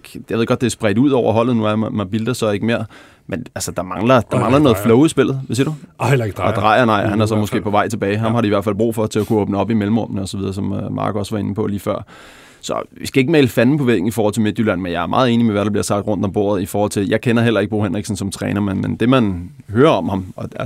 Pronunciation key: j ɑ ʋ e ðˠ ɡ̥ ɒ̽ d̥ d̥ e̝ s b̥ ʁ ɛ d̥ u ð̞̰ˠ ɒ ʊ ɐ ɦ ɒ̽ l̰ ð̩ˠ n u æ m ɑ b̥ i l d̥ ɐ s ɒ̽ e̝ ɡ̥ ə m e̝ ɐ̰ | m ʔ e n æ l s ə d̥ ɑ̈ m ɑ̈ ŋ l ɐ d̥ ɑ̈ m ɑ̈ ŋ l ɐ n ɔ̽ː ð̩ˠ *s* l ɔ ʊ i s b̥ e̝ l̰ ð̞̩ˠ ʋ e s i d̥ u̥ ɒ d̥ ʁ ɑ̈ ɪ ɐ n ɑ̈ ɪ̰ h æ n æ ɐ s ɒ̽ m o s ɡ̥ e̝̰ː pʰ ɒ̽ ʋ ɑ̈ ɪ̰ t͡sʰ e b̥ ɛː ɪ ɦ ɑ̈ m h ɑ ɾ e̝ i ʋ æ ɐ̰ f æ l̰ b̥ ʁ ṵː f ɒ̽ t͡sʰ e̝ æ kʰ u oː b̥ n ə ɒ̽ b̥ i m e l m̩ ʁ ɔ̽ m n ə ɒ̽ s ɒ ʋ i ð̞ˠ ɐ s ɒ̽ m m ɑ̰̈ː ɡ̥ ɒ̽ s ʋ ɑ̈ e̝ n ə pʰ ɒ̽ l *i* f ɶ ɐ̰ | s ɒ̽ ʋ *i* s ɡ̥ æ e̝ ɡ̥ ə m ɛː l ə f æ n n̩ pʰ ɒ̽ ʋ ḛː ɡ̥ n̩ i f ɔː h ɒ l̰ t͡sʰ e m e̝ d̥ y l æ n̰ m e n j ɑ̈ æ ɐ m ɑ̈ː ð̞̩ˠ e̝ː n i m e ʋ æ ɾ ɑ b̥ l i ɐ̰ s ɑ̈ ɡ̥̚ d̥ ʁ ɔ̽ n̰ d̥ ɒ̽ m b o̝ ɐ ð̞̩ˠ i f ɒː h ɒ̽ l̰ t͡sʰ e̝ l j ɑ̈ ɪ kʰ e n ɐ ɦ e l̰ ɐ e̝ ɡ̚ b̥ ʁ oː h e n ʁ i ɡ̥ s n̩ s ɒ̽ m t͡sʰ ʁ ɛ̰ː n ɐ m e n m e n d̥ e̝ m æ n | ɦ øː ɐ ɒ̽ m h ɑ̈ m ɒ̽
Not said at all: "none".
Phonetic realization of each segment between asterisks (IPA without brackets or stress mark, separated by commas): f, iː, i